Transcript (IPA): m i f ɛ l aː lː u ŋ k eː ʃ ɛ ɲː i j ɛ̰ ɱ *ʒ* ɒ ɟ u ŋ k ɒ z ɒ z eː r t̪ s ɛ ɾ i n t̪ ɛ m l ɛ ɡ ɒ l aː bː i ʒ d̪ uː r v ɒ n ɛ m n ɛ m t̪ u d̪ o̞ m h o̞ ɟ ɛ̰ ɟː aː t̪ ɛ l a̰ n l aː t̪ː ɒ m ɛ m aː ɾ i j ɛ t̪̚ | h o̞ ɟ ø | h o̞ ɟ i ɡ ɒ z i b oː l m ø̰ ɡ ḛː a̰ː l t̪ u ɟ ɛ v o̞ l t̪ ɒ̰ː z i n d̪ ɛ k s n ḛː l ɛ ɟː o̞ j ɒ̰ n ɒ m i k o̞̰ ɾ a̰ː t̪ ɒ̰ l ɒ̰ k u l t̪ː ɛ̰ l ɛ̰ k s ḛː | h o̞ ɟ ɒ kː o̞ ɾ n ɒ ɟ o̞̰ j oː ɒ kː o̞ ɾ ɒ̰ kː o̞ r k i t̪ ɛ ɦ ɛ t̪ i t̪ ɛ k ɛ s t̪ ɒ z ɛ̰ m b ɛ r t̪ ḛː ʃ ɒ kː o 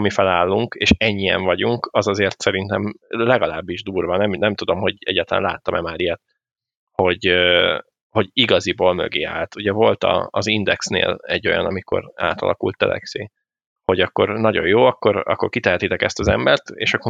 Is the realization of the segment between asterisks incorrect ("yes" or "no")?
yes